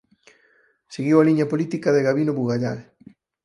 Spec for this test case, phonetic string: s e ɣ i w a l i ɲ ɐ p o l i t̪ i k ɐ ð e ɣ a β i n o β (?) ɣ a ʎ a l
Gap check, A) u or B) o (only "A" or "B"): A